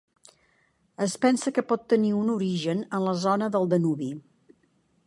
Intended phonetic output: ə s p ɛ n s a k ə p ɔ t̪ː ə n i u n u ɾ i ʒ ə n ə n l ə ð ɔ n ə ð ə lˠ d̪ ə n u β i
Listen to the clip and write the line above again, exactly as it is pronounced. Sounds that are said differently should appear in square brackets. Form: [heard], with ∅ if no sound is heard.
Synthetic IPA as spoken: ə s p ɛ n s [ə] k ə p ɔ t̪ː ə n i u n u ɾ i ʒ ə n ə n l ə [z] ɔ n ə ð ə lˠ d̪ ə n u β i